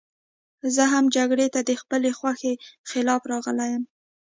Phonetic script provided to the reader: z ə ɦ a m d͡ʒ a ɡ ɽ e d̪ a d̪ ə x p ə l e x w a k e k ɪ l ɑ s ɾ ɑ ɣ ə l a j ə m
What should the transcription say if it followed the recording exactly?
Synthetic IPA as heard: z ə ɦ a m d͡ʒ a ɡ ɽ e t̪ a d̪ ə x p ə l e x w a x e x ɪ l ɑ f ɾ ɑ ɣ ə l a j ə m